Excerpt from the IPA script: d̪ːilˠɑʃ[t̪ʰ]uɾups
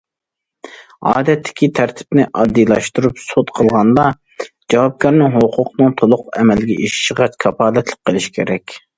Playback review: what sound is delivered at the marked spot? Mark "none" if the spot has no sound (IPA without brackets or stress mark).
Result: t̪